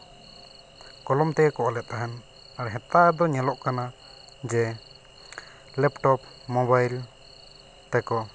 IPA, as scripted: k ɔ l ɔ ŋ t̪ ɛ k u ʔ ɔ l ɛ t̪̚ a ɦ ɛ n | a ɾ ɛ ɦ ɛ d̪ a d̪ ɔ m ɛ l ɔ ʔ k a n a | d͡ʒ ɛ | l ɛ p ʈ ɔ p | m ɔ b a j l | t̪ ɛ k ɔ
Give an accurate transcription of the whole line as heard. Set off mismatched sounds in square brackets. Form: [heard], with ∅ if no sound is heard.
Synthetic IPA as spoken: k ɔ l ɔ [m] t̪ ɛ k [ɔ] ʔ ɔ l ɛ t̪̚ a ɦ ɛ n | a ɾ ɛ ɦ ɛ [t̪] a d̪ ɔ [ɲ] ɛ l ɔ ʔ k a n a | d͡ʒ ɛ | l ɛ p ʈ ɔ p | m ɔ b a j l | t̪ ɛ k ɔ